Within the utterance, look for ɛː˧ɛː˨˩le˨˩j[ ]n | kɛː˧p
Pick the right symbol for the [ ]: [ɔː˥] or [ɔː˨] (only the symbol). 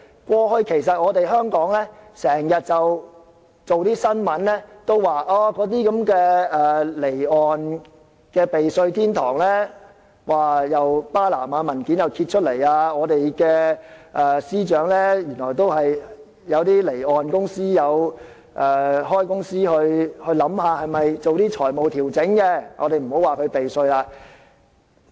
ɔː˨